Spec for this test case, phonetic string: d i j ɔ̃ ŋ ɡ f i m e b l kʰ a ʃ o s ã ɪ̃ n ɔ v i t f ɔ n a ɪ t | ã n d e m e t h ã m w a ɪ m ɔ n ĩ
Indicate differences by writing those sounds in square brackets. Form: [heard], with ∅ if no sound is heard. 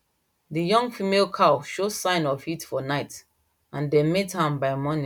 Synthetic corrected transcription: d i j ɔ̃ ŋ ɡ f i m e [∅] l kʰ a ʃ o s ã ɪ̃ n ɔ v i t f ɔ n a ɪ t | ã n d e m e t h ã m [b] a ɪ m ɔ n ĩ